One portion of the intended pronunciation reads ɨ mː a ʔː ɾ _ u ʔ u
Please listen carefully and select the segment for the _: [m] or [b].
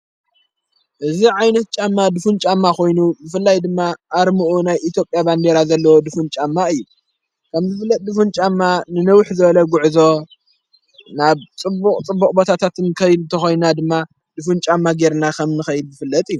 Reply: m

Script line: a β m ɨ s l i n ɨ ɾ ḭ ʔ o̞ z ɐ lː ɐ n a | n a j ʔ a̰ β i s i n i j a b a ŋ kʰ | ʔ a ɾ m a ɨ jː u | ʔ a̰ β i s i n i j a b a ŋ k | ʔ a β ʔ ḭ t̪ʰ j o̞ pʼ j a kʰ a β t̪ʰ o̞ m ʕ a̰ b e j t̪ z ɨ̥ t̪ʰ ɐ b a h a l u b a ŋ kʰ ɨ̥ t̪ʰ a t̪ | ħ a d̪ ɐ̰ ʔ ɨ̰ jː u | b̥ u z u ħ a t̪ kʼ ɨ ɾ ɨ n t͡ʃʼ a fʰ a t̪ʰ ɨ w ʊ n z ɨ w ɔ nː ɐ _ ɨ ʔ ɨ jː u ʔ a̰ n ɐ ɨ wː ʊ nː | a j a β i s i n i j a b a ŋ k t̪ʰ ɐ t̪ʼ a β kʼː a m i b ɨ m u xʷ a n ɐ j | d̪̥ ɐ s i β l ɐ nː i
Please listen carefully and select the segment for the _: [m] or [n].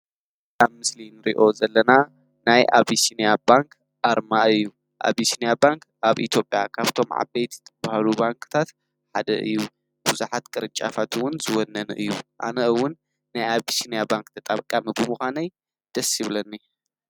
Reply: n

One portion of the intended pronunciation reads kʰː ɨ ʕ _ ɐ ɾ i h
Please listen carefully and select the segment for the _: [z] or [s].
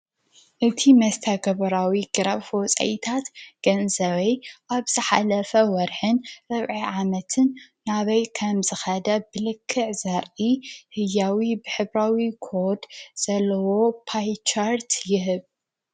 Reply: z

